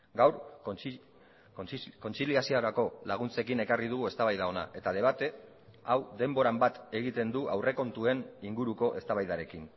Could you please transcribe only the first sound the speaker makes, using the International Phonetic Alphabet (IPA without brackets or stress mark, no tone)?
ɡ